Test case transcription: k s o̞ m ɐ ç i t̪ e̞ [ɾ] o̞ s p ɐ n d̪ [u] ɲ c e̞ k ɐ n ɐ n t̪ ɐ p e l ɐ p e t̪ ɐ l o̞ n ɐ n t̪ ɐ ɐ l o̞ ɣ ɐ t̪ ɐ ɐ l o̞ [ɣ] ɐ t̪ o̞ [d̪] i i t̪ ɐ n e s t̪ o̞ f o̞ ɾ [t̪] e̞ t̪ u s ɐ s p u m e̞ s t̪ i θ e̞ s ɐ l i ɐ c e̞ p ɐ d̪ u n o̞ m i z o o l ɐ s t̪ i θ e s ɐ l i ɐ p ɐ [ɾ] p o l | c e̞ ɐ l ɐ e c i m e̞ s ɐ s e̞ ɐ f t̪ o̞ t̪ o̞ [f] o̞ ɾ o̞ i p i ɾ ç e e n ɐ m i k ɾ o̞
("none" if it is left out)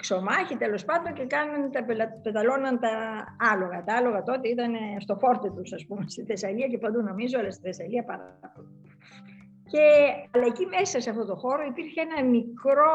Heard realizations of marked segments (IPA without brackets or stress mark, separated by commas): l, o, ɣ, t̪, t̪, ɾ, x